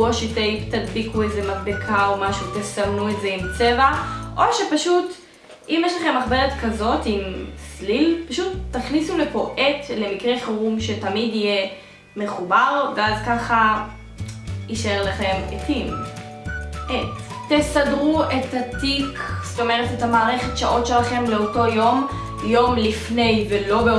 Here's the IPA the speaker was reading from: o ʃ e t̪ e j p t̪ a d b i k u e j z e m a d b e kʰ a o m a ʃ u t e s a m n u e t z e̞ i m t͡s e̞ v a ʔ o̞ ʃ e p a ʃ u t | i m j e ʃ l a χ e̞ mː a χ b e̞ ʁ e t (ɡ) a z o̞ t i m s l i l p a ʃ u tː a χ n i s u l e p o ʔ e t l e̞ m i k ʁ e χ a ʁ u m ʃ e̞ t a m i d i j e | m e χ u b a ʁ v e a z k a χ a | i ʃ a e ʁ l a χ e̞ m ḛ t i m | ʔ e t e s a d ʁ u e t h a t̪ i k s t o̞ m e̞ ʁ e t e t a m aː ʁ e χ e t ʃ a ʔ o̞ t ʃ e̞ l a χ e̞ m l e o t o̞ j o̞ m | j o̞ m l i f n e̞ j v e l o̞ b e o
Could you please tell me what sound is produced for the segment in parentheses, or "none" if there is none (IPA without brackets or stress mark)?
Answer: k